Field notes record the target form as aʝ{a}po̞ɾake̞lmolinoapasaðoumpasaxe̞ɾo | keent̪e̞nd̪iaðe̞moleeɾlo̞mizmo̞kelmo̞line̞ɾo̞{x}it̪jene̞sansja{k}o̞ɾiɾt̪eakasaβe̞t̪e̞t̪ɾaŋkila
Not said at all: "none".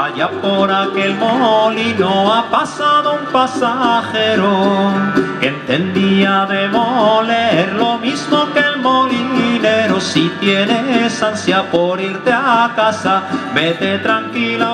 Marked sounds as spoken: a, s, p

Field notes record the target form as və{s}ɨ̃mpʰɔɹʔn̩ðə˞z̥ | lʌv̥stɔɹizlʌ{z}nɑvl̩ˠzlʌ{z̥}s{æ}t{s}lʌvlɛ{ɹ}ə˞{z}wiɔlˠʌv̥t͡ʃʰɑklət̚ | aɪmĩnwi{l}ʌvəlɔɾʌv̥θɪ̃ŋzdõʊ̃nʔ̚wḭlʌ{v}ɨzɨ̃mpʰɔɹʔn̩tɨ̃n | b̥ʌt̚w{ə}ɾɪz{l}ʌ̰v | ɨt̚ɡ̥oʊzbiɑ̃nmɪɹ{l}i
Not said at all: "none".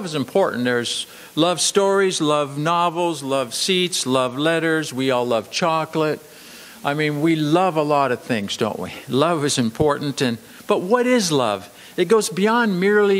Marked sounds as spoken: z, v, v̥, i, s, ɾ, z, l, v, ʌ, l, l

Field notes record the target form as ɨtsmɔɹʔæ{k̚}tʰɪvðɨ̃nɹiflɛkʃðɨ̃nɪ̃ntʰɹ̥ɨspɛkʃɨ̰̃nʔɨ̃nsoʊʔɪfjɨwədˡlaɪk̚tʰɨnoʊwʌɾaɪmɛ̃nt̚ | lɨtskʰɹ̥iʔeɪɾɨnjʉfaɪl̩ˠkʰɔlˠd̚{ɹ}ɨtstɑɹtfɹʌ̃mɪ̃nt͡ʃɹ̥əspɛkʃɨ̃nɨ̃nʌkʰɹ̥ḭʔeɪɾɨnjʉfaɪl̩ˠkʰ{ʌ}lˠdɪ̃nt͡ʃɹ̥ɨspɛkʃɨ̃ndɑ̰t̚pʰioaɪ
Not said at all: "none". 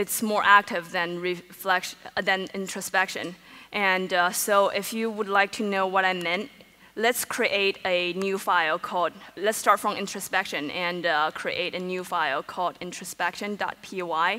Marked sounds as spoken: k̚, l, ɔ

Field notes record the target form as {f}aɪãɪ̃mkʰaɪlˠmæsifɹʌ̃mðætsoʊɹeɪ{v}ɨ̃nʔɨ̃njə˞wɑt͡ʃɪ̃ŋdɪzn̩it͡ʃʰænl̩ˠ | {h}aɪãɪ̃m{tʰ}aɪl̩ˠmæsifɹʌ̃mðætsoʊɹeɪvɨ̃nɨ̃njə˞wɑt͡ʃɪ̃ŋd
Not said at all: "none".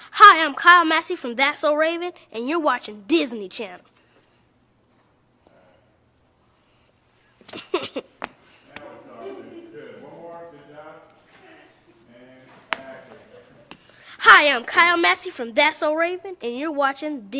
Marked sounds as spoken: h, v, h, kʰ

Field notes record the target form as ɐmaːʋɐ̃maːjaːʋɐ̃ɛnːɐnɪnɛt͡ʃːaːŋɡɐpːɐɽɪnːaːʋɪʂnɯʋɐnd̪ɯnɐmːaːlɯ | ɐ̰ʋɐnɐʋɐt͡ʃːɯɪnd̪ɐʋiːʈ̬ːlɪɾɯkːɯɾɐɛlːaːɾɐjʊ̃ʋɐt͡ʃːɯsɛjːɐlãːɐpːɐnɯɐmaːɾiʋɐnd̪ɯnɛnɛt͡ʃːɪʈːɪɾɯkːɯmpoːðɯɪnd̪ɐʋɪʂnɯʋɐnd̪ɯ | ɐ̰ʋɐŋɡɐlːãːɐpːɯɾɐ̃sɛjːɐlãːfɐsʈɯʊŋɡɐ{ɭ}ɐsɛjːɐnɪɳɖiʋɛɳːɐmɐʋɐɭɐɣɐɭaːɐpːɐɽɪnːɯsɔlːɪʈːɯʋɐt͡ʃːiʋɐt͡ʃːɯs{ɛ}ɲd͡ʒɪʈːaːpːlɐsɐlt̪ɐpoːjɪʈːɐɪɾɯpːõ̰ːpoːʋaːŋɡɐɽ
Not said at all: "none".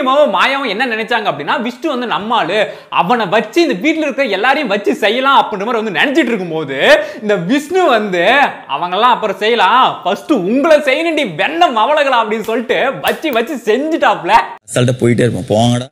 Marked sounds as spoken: ɭ, ɛ

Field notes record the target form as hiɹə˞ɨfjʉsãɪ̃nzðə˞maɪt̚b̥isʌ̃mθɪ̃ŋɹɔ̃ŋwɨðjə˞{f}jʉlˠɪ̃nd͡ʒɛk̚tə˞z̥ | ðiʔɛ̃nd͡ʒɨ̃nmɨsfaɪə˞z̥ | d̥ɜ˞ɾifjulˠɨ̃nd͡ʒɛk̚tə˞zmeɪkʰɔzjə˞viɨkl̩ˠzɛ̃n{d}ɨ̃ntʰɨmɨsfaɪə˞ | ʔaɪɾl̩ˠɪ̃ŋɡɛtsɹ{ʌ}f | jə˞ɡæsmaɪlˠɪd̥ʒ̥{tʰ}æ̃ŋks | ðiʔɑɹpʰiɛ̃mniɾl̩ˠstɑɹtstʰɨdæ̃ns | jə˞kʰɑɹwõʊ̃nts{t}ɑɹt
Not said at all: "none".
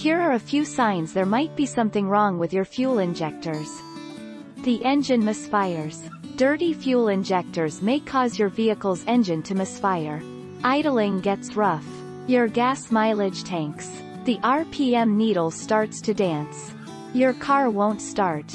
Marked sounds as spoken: f, d͡ʒ, ʌ, tʰ, t

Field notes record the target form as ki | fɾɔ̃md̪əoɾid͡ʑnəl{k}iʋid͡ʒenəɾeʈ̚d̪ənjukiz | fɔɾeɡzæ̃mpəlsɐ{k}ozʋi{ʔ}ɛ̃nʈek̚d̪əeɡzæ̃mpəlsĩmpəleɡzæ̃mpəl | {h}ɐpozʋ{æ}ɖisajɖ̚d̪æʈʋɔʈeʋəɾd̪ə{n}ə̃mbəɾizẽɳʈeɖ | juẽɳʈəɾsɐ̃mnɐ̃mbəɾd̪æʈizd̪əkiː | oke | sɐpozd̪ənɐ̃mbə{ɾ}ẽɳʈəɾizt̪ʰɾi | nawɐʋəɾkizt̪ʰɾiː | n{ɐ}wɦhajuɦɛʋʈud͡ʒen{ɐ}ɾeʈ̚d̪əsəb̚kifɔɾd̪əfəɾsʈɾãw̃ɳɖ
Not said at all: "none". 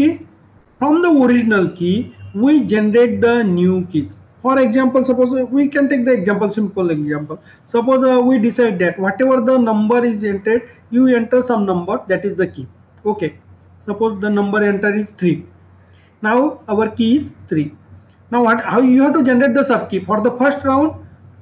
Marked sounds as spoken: k, p, k, s, i, n, ɾ, a, ə

